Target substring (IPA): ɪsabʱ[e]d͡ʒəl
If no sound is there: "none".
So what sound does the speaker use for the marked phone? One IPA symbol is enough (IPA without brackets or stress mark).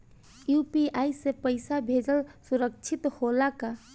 e